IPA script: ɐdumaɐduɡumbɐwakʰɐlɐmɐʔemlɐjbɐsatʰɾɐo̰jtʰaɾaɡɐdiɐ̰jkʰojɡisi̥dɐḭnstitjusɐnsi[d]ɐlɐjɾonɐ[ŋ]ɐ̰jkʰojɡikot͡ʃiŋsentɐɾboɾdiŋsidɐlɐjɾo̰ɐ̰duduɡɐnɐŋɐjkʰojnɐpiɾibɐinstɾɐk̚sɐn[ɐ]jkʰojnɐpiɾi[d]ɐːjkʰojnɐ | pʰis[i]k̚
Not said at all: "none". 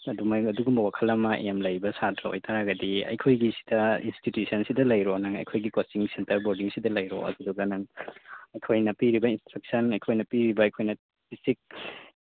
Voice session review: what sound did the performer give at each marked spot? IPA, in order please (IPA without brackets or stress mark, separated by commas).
d, ŋ, ɐ, b, i